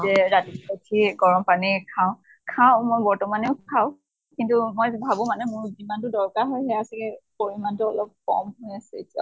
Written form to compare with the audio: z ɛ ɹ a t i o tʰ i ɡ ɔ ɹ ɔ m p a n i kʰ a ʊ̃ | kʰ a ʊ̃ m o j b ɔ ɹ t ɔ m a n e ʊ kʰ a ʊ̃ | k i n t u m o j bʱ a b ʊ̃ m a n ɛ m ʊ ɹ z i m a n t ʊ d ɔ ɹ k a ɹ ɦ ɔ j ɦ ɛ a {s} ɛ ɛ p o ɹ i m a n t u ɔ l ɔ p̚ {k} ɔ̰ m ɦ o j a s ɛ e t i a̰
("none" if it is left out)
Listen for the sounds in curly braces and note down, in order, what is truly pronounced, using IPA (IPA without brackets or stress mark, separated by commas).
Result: s, k